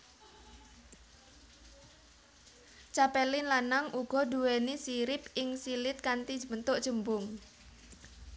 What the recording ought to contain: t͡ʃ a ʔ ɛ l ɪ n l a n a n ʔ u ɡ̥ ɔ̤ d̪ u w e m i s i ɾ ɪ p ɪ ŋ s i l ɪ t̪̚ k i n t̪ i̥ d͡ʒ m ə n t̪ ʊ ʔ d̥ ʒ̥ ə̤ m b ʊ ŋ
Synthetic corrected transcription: t͡ʃ a p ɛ l ɪ n l a n a ŋ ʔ u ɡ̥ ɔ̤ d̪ u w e n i s i ɾ ɪ p ɪ ŋ s i l ɪ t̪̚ k a n t̪ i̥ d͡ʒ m ə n t̪ ʊ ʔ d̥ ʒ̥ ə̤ m b ʊ ŋ